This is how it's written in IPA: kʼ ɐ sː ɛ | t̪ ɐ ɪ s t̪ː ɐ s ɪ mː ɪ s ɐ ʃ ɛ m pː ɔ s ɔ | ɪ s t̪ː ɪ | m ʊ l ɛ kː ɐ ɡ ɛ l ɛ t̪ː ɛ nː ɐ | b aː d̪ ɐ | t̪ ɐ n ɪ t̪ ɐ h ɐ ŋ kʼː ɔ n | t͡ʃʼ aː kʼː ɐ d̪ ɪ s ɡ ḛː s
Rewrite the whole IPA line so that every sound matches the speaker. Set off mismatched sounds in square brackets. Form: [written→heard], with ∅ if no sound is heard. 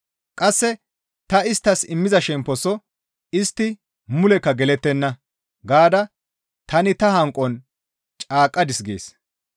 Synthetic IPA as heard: kʼ ɐ sː ɛ | t̪ ɐ ɪ s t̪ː ɐ s ɪ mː ɪ [s→z] ɐ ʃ ɛ m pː ɔ s ɔ | ɪ s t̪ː ɪ | m ʊ l ɛ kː ɐ ɡ ɛ l ɛ t̪ː ɛ nː ɐ | [b→ɡ] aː d̪ ɐ | t̪ ɐ n ɪ t̪ ɐ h ɐ ŋ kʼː ɔ n | t͡ʃʼ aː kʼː ɐ d̪ ɪ s ɡ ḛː s